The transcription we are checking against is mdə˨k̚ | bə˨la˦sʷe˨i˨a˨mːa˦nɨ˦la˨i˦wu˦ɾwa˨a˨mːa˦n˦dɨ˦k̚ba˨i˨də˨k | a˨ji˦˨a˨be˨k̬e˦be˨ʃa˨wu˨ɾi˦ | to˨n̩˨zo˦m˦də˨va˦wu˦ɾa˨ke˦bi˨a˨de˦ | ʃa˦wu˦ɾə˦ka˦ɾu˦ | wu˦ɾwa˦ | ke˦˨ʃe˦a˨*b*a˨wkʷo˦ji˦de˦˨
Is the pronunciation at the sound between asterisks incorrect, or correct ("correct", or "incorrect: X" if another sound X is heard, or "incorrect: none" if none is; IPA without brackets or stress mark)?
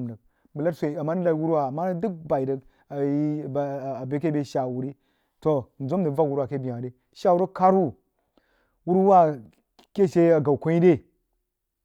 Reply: incorrect: ɡ